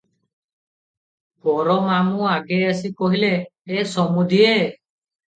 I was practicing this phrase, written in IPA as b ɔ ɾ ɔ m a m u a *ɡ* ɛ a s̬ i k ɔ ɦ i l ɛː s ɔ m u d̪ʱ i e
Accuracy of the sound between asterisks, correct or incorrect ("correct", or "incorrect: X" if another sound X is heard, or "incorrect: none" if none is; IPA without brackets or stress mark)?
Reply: correct